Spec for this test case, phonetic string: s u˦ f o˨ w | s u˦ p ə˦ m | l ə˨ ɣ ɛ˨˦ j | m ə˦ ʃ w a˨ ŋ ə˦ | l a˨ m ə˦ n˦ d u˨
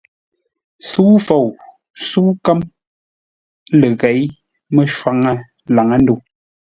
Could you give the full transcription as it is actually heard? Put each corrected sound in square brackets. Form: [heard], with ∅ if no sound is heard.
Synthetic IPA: s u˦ f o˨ w | s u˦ [k] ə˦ m | l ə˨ ɣ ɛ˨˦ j | m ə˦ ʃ w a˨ ŋ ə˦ | l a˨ [ŋ] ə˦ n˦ d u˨